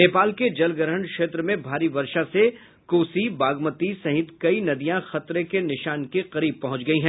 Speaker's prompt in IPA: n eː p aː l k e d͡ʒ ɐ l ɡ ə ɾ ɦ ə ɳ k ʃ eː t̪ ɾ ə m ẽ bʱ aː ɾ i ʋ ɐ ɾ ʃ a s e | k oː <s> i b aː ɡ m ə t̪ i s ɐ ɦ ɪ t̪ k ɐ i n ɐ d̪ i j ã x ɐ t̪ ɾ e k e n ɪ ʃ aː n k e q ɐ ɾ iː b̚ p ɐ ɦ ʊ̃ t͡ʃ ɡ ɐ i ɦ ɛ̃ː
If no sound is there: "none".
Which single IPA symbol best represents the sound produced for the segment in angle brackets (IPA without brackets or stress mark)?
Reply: s